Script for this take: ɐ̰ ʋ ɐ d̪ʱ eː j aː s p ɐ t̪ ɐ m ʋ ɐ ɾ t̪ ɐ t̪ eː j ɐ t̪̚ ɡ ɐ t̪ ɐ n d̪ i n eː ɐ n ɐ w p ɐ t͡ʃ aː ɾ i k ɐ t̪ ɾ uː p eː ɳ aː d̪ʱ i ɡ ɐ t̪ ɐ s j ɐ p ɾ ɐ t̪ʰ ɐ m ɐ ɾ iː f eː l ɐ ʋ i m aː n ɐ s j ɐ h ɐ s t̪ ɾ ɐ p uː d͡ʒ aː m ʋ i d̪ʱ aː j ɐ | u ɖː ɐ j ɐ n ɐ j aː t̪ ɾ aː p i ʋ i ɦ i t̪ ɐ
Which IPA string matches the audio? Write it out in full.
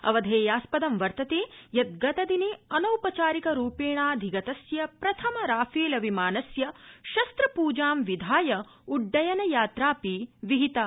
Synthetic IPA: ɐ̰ ʋ ɐ d̪ʱ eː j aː s p ɐ d̪ ɐ m ʋ ɐ ɾ t̪ ɐ t̪ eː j ɐ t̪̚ ɡ ɐ t̪ ɐ d̪ i n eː ɐ n ɐ w p ɐ t͡ʃ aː ɾ i k ɐ ɾ uː p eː ɳ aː d̪ʱ i ɡ ɐ t̪ ɐ s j ɐ p ɾ ɐ t̪ʰ ɐ m ɐ ɾ aː f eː l ɐ ʋ i m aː n ɐ s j ɐ ʃ ɐ s t̪ ɾ ɐ p uː d͡ʒ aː m ʋ i d̪ʱ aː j ɐ | u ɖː ɐ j ɐ n ɐ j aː t̪ ɾ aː p i ʋ i ɦ i t̪ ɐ